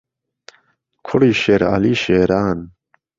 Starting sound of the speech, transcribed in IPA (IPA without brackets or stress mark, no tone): kʰ